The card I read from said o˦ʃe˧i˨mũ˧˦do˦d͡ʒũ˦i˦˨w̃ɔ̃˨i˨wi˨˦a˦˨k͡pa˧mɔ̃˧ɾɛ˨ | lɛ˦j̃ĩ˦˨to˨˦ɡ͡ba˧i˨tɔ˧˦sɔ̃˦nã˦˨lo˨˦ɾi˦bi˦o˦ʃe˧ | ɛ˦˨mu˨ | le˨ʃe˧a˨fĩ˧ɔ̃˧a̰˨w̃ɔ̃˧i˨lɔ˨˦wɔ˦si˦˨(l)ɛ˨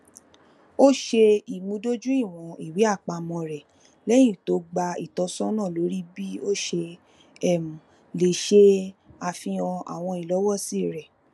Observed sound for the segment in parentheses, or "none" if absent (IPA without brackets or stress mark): ɾ